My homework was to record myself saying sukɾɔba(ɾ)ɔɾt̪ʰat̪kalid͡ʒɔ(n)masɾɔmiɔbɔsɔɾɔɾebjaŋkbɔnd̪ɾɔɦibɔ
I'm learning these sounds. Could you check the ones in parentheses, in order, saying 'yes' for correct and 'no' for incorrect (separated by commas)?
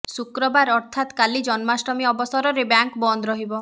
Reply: yes, yes